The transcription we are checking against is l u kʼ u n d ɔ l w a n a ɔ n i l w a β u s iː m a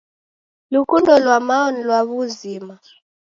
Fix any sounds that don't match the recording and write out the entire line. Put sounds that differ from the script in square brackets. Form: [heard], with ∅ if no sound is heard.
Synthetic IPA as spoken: l u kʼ u n d ɔ l w a [m] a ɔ n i l w a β u [z] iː m a